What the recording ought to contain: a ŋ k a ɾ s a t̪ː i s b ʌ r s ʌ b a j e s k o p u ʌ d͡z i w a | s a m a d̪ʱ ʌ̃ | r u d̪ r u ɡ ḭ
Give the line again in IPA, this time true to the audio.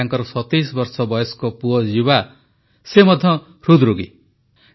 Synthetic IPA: a ŋ k ʌ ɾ s ʌ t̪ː i s b ʌ r s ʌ b ʌ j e s k o p u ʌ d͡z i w a | s e m ʌ d̪ʱ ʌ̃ | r u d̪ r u ɡ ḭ